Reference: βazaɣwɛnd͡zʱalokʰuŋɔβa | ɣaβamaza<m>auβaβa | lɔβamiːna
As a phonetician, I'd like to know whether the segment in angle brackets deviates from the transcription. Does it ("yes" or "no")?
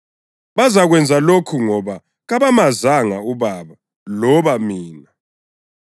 yes